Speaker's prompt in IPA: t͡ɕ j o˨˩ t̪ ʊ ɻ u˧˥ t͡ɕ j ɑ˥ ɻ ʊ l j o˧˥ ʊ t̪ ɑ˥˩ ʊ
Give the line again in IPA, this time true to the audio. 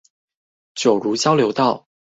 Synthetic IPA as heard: t͡ɕ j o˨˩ ʊ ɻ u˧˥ t͡ɕ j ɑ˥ ʊ l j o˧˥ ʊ t̪ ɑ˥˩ ʊ